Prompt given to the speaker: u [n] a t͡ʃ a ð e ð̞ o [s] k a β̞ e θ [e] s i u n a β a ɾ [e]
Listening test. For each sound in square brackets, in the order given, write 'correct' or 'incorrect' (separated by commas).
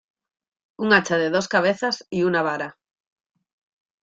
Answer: incorrect, correct, incorrect, incorrect